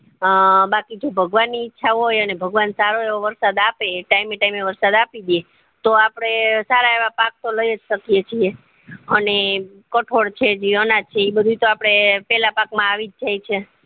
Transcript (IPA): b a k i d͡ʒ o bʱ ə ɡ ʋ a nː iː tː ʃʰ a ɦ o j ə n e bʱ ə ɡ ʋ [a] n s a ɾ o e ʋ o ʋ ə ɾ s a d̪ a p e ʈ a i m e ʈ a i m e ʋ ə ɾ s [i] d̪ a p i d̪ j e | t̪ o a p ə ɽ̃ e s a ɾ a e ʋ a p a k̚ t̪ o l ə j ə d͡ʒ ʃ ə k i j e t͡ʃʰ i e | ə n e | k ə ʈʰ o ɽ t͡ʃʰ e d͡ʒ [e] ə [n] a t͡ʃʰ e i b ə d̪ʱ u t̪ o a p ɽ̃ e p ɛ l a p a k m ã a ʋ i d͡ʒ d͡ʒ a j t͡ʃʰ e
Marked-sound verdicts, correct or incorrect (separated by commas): correct, incorrect, incorrect, correct